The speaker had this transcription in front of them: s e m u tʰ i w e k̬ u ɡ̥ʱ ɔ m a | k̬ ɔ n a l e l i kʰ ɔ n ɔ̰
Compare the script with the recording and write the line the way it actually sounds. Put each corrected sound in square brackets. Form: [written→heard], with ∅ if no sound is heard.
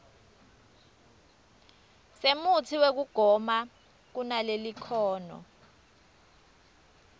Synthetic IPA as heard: s e m u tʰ i w e k̬ u ɡ̥ʱ ɔ m a | k̬ [ɔ→u] n a l e l i kʰ [ɔ→ɔː] n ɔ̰